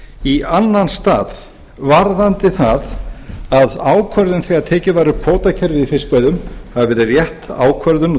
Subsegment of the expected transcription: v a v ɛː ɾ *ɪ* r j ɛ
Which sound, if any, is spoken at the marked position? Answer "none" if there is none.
ɪ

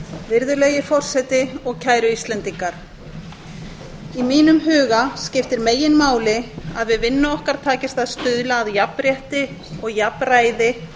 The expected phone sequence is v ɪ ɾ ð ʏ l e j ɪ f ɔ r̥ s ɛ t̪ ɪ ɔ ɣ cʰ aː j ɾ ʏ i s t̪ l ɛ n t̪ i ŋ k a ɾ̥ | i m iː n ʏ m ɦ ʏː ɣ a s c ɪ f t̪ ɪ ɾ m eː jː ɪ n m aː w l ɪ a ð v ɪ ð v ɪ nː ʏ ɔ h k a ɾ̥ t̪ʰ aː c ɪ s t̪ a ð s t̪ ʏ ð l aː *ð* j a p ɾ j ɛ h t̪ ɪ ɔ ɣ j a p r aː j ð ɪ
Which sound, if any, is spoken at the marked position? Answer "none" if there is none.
ð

